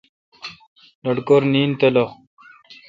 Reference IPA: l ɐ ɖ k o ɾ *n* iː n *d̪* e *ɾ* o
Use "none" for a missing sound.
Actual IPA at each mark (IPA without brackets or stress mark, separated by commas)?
n, t̪, l